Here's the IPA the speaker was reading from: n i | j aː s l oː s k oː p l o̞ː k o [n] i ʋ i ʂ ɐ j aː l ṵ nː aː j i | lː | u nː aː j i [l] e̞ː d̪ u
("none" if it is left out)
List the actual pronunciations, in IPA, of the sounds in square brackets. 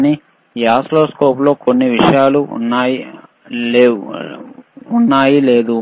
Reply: nː, l

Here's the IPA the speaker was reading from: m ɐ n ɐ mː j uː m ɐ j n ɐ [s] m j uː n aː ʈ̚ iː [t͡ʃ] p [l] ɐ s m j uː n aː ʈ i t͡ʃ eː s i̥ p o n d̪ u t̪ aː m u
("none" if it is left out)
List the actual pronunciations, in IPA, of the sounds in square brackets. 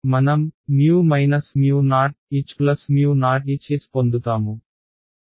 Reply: s, t͡ʃ, l

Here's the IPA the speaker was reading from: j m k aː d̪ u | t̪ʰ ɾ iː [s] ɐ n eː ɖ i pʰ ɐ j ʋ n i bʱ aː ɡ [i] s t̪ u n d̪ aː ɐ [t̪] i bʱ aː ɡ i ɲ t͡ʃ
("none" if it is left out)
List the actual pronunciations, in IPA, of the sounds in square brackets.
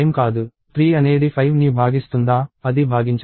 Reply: none, i, d̪

